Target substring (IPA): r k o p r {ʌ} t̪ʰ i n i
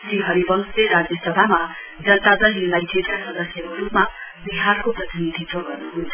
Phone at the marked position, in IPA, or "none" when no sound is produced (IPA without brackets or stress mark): ʌ